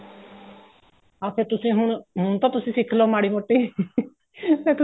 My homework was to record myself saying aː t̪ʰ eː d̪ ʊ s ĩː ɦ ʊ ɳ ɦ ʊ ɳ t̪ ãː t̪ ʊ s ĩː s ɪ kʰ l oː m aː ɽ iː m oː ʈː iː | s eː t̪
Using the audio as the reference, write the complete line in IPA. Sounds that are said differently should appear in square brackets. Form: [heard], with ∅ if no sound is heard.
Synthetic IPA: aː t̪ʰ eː [t̪] ʊ s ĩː ɦ ʊ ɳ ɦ ʊ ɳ t̪ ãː t̪ ʊ s ĩː s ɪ kʰ l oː m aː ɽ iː m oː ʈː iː | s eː t̪